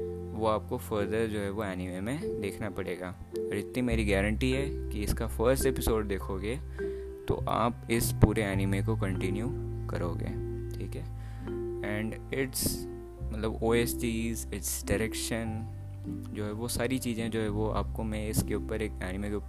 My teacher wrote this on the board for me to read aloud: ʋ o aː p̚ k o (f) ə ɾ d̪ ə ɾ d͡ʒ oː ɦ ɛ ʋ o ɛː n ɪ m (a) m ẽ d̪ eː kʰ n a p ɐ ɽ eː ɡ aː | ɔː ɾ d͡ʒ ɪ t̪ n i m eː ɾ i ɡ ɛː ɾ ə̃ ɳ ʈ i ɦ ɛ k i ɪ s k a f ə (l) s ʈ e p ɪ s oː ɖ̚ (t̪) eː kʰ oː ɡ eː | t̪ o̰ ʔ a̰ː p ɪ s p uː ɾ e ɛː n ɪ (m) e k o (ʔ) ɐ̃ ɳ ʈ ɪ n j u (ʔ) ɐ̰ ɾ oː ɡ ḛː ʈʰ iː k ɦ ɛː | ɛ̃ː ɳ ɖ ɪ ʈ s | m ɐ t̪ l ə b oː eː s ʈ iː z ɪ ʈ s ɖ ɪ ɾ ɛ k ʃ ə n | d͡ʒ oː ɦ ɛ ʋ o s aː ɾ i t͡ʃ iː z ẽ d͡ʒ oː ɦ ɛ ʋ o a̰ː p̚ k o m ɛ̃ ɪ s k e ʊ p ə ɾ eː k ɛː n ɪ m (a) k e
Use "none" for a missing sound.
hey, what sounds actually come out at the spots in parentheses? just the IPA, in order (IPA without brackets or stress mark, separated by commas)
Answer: f, e, ɾ, d̪, m, k, k, e